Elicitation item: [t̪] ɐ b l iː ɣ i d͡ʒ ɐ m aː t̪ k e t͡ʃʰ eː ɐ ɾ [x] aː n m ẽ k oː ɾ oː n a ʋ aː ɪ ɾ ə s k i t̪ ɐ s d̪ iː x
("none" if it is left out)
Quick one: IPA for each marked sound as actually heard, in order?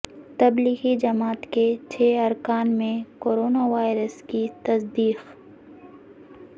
t̪, k

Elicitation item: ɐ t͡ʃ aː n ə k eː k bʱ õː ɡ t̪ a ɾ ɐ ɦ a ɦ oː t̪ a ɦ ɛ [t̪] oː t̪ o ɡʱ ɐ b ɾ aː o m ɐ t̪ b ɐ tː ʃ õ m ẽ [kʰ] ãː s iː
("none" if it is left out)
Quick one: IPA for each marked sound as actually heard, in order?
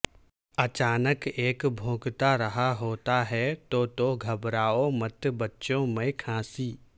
t̪, kʰ

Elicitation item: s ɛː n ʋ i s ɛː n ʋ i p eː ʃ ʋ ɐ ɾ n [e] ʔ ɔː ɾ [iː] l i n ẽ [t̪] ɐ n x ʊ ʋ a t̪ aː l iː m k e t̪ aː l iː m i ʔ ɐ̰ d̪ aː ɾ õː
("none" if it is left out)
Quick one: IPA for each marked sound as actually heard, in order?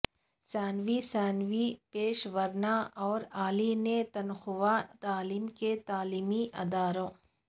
a, aː, t̪

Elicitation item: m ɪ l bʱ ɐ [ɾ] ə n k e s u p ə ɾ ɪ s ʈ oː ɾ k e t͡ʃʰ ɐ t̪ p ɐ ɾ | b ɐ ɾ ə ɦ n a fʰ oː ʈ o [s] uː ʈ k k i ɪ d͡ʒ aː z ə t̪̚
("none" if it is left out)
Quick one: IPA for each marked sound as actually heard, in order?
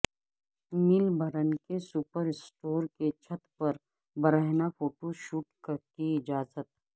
ɾ, ʃ

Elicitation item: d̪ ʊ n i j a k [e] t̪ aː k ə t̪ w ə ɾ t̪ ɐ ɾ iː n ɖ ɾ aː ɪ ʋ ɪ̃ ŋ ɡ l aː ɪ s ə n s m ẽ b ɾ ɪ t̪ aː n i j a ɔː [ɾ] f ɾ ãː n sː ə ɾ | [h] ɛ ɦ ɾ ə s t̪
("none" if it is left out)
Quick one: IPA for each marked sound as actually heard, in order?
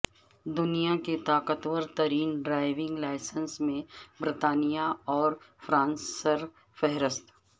e, ɾ, f

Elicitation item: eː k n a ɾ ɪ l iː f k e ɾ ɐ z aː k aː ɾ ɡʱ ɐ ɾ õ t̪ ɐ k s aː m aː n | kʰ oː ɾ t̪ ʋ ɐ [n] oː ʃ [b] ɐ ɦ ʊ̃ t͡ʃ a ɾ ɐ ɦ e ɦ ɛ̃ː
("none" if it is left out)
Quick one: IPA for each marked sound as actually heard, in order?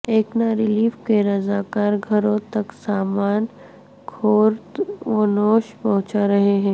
n, p

